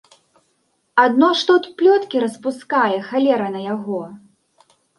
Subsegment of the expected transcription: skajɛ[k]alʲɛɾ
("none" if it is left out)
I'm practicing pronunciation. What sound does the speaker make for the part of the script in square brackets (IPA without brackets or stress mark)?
x